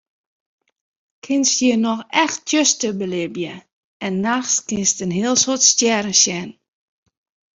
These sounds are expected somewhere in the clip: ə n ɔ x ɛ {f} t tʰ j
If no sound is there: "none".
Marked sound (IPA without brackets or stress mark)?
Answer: x